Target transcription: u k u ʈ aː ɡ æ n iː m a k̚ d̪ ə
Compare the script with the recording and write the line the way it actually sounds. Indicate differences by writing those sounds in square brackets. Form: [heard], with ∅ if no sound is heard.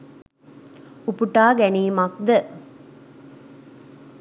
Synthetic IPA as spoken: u [p] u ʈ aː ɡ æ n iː m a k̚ d̪ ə